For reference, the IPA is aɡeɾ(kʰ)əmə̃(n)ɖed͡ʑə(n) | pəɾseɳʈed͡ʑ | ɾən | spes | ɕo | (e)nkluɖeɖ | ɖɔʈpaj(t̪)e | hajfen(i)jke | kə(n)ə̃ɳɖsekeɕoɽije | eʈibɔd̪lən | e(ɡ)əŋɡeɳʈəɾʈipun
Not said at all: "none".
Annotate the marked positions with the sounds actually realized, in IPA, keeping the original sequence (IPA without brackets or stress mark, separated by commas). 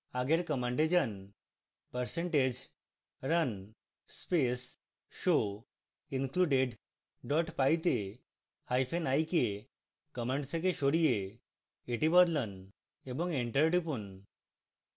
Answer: k, ɳ, n, i, t̪, a, m, b